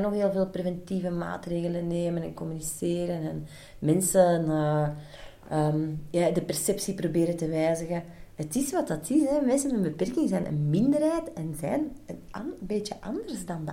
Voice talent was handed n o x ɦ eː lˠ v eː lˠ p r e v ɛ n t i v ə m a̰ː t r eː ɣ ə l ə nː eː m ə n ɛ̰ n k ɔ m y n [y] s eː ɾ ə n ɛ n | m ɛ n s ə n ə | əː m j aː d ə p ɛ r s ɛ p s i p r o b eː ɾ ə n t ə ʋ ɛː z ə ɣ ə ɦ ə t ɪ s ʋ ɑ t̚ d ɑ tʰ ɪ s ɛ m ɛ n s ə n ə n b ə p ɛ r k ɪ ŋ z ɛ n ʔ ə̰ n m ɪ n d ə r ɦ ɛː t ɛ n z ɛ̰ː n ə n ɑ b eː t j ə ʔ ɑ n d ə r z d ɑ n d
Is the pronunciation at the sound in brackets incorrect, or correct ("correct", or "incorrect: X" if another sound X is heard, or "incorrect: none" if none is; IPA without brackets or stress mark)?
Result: incorrect: i